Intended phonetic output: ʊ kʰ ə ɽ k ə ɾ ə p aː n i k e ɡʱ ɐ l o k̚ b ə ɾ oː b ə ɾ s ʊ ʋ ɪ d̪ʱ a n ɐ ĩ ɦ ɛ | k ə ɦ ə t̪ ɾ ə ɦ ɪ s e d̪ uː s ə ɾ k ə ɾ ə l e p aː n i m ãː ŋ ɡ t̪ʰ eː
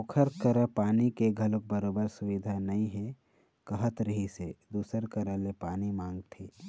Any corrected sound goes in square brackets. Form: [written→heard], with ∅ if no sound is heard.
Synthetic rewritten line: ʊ kʰ ə [ɽ→ɾ] k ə ɾ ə p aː n i k e ɡʱ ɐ l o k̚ b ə ɾ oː b ə ɾ s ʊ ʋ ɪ d̪ʱ a n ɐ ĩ ɦ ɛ | k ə ɦ ə t̪ ɾ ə ɦ [ɪ→i] s e d̪ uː s ə ɾ k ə ɾ ə l e p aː n i m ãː ŋ ɡ t̪ʰ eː